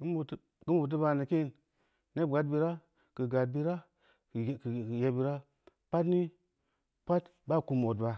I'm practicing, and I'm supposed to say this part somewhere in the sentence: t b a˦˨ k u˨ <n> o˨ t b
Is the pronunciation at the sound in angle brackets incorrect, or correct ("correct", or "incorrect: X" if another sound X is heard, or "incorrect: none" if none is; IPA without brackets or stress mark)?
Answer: incorrect: m